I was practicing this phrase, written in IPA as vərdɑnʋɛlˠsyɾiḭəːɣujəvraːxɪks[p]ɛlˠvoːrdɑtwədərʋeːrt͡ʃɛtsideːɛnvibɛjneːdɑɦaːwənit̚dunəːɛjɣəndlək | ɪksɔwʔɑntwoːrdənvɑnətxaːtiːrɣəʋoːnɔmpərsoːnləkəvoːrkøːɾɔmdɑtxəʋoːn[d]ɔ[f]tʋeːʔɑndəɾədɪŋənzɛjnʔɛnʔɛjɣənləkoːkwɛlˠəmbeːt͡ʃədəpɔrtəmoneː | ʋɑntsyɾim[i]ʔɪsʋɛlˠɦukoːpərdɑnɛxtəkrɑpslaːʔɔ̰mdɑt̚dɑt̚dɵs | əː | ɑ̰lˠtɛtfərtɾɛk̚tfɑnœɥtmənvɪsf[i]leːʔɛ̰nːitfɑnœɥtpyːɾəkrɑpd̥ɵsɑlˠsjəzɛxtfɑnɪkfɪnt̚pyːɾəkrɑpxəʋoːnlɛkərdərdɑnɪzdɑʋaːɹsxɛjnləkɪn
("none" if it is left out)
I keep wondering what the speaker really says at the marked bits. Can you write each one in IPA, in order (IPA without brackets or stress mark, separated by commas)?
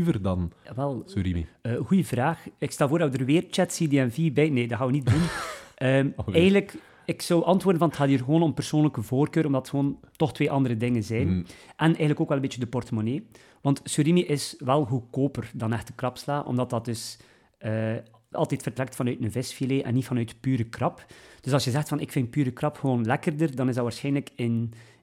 t, t, x, i, i